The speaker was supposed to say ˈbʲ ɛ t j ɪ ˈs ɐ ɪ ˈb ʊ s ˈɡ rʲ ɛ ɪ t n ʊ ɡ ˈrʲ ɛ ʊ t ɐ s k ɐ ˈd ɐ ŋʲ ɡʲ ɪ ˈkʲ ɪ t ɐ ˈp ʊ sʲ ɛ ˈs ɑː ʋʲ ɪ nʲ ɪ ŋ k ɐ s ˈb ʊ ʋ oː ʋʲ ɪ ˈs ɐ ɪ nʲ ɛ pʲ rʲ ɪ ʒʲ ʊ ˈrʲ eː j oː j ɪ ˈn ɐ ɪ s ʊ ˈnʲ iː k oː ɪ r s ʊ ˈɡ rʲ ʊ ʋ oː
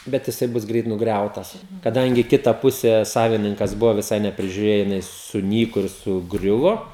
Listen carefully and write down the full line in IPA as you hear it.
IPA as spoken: ˈbʲ ɛ t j ɪ ˈs ɐ ɪ ˈb ʊ s ˈɡ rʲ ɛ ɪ t n ʊ ɡ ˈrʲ ɛ ʊ t ɐ s k ɐ ˈd ɐ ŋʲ ɡʲ ɪ ˈkʲ ɪ t ɐ ˈp ʊ sʲ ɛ ˈs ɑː ʋʲ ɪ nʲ ɪ ŋ k ɐ s ˈb ʊ ʋ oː ʋʲ ɪ ˈs ɐ ɪ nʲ ɛ pʲ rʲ ɪ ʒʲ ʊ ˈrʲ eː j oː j ɪ ˈn ɐ ɪ s ʊ ˈnʲ iː k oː ɪ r s ʊ ˈɡ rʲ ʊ ʋ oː